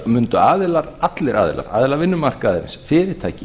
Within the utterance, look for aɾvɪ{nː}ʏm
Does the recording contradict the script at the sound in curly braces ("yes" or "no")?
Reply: no